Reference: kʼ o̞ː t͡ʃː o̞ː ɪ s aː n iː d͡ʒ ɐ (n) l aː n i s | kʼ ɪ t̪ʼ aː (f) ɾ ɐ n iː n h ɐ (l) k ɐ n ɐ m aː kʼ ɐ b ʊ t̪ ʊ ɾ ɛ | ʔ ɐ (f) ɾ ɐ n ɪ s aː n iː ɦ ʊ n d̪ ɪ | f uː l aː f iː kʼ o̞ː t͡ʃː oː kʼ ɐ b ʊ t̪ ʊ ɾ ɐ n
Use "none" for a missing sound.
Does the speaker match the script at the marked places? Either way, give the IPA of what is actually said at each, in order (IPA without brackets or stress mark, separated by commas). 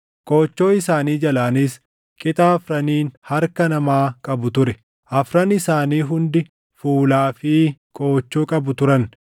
none, f, ɾ, f